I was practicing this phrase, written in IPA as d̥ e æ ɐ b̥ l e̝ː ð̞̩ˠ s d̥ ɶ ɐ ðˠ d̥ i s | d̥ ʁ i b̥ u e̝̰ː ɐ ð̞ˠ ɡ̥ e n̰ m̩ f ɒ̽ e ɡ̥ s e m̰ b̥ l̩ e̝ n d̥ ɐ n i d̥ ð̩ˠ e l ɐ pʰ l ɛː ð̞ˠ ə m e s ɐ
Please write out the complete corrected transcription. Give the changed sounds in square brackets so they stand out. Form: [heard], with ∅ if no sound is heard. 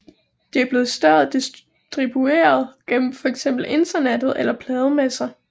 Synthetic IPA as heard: d̥ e æ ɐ b̥ l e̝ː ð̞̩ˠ s d̥ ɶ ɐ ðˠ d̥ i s | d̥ ʁ i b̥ u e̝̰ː ɐ ð̞ˠ ɡ̥ e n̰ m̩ f ɒ̽ e ɡ̥ s e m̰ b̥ l̩ e̝ n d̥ ɐ n [e] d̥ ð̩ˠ e l ɐ pʰ l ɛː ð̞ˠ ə m e s ɐ